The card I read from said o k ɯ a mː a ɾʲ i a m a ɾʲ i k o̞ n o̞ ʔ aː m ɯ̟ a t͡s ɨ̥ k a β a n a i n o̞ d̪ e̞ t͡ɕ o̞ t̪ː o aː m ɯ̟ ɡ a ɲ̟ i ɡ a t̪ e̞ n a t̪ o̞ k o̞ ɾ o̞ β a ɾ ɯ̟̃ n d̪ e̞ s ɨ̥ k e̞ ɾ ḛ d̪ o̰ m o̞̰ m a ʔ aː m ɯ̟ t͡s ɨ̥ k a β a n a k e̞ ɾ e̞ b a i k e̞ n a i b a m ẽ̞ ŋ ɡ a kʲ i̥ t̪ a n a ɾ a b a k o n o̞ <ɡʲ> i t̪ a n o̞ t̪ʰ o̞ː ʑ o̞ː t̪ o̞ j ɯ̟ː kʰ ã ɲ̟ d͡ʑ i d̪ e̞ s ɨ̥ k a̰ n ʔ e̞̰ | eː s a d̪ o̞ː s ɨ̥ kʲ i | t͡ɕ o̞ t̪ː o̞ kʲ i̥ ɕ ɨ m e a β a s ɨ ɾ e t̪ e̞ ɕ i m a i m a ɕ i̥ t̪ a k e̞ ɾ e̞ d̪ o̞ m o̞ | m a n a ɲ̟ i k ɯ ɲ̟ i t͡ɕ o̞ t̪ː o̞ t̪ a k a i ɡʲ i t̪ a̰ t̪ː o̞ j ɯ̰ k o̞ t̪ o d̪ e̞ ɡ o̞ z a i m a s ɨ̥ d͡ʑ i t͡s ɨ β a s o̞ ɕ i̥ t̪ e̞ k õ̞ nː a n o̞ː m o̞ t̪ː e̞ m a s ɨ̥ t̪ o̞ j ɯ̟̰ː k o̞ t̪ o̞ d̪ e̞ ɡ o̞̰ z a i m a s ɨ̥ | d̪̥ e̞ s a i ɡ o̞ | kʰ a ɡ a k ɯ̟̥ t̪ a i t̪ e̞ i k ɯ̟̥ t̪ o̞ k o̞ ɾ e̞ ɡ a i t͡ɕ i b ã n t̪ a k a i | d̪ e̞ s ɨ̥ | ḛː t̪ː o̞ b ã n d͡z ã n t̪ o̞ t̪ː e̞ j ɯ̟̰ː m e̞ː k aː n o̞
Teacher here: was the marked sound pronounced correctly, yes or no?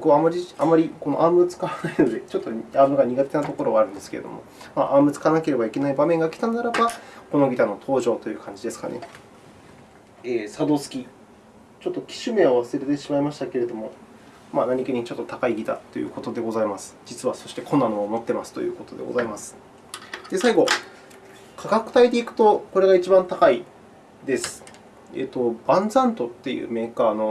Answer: yes